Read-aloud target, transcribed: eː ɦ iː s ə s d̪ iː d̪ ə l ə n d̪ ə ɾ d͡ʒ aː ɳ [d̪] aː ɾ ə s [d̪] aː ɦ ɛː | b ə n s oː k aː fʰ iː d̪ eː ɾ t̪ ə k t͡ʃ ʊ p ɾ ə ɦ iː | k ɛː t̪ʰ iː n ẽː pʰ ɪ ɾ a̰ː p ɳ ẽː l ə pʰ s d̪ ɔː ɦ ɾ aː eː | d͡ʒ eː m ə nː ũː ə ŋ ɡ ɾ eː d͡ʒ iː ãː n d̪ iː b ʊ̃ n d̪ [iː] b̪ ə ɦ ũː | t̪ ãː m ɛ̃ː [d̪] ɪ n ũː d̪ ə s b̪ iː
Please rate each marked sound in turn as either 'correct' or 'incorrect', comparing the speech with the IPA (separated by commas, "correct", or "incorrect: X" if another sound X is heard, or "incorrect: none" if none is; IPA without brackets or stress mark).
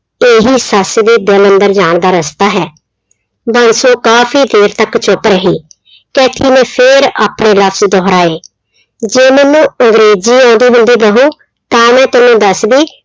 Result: correct, incorrect: t̪, correct, incorrect: t̪